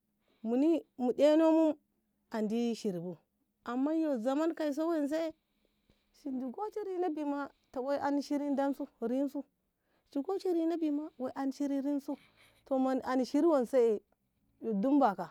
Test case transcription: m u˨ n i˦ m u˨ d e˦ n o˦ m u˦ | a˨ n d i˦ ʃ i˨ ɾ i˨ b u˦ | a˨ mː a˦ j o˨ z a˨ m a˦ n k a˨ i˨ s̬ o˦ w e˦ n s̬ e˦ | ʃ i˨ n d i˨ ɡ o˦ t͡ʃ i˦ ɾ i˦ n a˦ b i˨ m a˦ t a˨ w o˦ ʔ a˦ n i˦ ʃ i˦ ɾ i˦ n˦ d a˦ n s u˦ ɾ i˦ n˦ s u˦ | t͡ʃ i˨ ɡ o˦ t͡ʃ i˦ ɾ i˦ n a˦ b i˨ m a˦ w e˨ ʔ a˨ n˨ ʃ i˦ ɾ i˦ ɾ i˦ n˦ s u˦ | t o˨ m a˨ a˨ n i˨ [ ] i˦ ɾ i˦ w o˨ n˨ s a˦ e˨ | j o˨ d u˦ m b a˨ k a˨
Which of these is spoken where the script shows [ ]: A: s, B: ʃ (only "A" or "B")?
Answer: B